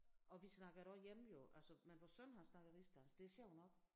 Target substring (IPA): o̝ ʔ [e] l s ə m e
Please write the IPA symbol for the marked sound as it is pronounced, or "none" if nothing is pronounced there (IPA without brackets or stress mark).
æ